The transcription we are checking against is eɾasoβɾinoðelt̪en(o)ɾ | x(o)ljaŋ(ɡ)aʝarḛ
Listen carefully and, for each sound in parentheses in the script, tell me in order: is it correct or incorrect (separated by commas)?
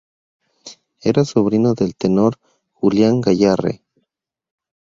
correct, incorrect, correct